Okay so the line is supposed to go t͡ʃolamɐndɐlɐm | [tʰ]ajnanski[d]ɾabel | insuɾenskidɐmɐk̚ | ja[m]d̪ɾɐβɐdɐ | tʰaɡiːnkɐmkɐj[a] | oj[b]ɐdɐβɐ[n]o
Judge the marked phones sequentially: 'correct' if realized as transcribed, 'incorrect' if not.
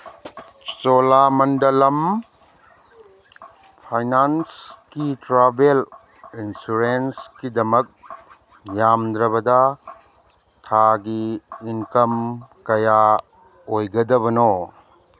incorrect: pʰ, incorrect: t, correct, correct, incorrect: ɡ, correct

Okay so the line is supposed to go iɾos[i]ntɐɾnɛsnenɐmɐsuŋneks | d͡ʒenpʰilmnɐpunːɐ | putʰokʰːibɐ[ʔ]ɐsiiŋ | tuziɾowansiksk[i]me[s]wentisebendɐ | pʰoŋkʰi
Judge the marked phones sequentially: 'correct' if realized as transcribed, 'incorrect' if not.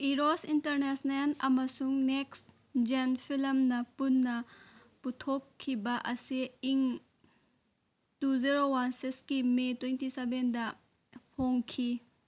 correct, correct, correct, incorrect: t

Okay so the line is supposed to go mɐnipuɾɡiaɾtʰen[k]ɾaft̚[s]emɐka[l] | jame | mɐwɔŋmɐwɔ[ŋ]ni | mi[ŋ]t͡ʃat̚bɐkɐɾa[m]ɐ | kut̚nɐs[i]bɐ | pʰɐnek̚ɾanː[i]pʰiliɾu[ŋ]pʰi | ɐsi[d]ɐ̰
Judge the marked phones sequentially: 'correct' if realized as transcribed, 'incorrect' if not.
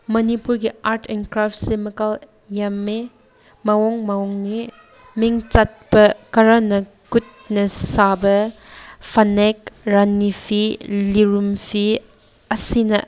correct, correct, correct, correct, correct, incorrect: n, incorrect: a, correct, incorrect: m, incorrect: n

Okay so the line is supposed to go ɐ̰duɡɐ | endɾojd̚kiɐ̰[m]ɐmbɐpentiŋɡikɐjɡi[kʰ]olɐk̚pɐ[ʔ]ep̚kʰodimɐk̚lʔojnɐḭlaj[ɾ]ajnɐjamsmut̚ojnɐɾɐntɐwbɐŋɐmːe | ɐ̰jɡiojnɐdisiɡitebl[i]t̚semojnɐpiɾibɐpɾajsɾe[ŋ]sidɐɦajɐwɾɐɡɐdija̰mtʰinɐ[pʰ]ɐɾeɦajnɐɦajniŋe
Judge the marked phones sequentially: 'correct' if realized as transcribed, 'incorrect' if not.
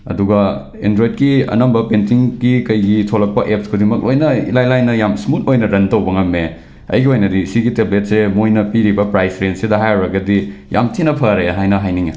incorrect: n, incorrect: tʰ, correct, incorrect: l, incorrect: e, incorrect: n, correct

